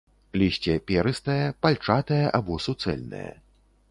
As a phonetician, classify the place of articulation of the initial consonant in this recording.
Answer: alveolar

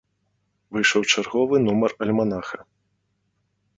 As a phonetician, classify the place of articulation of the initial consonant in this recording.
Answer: labial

